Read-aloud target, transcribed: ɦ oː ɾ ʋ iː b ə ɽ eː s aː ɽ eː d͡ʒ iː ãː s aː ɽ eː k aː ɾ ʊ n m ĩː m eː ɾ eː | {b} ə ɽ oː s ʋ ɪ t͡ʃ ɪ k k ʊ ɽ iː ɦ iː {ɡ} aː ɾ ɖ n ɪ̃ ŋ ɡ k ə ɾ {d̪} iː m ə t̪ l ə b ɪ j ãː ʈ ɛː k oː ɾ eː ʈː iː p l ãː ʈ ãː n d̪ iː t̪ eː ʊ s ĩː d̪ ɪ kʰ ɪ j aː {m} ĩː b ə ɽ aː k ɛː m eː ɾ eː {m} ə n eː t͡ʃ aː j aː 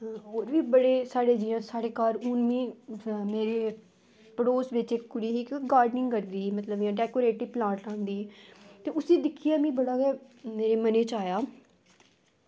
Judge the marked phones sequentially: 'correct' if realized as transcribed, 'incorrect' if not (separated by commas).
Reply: incorrect, correct, correct, correct, correct